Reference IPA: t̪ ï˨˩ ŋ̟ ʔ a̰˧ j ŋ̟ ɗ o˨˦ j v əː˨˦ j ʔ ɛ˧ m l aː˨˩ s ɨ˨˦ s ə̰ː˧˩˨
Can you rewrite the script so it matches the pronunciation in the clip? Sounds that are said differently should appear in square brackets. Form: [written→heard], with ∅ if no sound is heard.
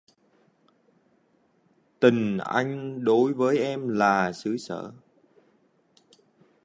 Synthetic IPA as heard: t̪ ï˨˩ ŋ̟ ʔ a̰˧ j ŋ̟ ɗ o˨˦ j v əː˨˦ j ʔ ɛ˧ m l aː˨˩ s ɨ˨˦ s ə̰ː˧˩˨